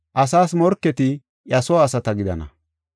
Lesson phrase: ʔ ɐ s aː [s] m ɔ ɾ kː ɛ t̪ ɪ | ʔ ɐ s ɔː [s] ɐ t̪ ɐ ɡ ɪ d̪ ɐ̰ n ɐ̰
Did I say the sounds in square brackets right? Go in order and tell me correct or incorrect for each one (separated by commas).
correct, correct